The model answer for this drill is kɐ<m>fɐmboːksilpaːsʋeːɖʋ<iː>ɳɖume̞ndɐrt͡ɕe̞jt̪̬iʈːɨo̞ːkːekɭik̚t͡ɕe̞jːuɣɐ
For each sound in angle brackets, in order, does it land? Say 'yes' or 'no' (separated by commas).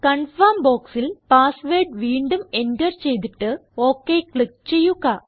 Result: no, yes